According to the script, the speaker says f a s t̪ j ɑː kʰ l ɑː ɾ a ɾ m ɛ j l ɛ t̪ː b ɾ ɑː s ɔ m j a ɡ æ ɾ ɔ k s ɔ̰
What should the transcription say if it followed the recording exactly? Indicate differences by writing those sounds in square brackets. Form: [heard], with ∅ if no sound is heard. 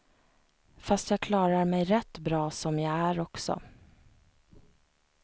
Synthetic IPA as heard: f a s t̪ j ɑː kʰ l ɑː ɾ a ɾ m ɛ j [ɾ] ɛ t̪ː b ɾ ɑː s ɔ m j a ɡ æ ɾ ɔ k s ɔ̰